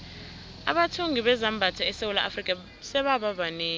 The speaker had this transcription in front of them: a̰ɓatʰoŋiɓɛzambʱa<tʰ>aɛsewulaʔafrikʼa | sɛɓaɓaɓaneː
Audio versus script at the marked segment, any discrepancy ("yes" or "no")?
no